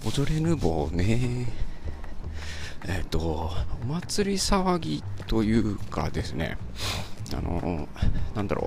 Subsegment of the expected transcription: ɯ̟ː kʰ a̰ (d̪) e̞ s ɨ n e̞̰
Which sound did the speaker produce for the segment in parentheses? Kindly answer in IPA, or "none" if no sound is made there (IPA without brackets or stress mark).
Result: d̪